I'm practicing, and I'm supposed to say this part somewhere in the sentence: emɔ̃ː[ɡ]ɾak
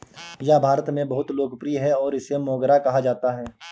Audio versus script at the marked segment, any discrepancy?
no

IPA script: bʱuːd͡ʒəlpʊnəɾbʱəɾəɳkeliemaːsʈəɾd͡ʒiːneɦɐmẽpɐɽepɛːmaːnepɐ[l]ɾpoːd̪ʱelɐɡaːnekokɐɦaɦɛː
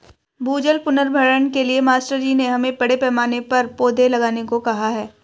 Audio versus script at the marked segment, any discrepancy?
yes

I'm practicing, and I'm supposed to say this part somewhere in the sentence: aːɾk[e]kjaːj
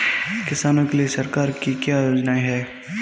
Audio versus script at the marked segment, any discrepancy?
yes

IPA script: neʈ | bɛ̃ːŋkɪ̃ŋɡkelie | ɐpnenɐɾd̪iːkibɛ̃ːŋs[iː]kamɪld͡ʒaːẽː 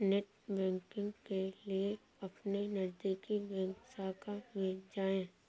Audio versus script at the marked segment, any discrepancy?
yes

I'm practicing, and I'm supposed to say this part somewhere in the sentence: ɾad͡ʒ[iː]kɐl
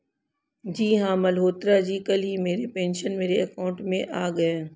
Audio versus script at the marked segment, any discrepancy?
no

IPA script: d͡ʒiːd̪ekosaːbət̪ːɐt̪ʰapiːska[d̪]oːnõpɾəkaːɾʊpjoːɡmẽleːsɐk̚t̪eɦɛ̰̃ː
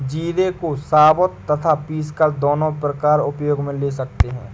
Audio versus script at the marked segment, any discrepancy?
no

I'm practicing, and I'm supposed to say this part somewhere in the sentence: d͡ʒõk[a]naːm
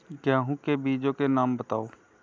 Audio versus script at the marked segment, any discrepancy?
yes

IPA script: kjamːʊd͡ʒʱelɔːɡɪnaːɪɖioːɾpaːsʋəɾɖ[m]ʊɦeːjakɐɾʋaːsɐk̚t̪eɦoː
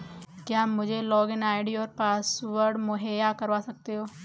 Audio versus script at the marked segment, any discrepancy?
no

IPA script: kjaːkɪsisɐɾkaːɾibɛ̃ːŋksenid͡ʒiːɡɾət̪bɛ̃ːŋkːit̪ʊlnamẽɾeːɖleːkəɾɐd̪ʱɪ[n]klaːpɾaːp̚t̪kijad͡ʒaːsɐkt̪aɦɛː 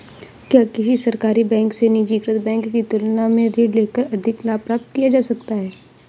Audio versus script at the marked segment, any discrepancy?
yes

